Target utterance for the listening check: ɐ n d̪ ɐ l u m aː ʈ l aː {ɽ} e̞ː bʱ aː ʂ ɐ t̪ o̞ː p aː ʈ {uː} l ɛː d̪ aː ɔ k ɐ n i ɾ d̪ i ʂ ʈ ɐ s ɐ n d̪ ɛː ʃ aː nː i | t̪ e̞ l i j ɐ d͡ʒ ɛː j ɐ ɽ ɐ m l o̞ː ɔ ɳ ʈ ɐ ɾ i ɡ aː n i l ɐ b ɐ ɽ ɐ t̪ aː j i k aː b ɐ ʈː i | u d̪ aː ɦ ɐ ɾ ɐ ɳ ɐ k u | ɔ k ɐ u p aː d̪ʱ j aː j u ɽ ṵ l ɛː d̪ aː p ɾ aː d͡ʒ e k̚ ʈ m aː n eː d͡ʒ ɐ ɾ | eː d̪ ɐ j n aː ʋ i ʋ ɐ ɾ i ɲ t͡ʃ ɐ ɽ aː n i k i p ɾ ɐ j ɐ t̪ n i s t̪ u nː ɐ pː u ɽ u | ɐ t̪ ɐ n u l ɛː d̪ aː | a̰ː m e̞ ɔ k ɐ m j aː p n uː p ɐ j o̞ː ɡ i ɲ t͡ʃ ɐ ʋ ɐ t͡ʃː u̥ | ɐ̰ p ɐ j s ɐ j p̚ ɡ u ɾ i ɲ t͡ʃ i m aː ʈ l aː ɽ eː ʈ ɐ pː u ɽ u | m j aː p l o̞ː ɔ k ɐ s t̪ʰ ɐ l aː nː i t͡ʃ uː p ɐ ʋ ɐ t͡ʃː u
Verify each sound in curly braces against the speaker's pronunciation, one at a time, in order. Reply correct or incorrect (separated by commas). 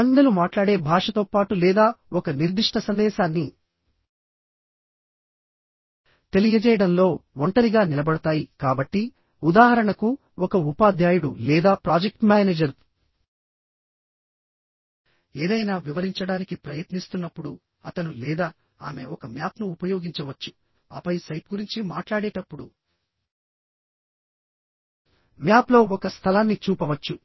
correct, incorrect